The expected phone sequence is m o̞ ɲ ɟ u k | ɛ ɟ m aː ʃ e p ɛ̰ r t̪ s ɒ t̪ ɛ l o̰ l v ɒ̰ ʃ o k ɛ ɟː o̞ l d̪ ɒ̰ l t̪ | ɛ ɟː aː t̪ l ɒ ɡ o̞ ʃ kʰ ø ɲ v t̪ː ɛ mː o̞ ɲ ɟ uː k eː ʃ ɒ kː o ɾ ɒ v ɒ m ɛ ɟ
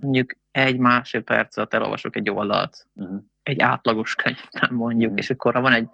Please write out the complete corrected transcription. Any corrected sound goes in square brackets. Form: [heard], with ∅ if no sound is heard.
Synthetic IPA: m o̞ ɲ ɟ u k | ɛ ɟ m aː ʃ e p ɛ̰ r t̪ s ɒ t̪ ɛ l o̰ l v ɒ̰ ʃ o k ɛ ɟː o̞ l d̪ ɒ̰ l t̪ | ɛ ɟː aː t̪ l ɒ ɡ o̞ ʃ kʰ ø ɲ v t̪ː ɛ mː o̞ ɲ ɟ [u] k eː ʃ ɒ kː o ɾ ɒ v ɒ [n] ɛ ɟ